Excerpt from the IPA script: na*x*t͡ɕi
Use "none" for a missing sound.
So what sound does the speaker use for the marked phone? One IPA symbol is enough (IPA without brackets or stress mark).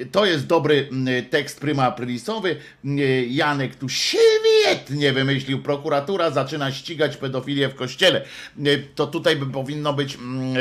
ɕ